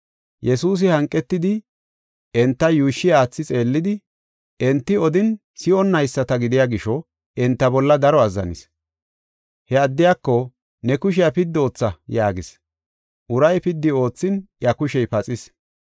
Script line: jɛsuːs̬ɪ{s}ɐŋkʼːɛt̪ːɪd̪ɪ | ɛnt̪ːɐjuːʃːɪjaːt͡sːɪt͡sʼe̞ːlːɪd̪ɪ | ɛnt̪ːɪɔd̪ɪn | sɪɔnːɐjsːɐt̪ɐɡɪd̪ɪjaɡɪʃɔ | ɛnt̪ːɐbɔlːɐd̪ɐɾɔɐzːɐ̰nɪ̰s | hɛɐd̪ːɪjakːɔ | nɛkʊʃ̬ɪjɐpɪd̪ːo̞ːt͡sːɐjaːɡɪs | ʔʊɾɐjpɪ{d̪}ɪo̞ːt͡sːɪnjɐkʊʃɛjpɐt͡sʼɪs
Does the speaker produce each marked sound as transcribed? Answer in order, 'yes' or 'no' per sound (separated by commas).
no, no